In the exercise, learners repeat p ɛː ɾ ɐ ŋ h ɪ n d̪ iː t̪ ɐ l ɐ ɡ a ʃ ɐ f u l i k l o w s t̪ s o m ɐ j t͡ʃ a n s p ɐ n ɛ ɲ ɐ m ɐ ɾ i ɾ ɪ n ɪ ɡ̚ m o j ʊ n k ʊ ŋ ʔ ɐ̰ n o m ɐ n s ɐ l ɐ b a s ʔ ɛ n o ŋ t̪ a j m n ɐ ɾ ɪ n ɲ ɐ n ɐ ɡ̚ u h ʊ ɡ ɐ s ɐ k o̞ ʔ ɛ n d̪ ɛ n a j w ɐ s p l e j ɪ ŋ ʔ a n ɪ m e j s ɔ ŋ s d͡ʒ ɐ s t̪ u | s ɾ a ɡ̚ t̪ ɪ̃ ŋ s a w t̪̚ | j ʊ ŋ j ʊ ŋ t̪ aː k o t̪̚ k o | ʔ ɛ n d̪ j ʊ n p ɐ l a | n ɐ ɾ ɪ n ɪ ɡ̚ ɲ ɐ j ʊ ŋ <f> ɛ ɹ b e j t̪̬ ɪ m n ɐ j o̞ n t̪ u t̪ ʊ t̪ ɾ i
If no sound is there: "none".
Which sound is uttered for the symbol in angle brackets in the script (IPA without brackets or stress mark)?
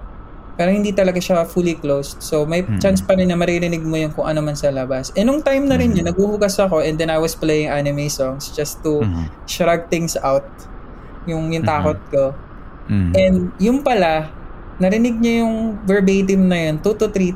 v